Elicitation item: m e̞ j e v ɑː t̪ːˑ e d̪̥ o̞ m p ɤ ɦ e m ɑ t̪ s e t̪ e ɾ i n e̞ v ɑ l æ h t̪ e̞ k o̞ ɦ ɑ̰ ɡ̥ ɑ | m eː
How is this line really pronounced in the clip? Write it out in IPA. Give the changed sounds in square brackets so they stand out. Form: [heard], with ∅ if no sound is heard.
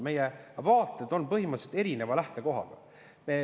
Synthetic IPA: m e̞ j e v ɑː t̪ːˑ e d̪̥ o̞ [n] p ɤ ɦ [i] m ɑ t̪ s e t̪ e ɾ i n e̞ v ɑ l æ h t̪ e̞ k o̞ ɦ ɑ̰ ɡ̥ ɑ | m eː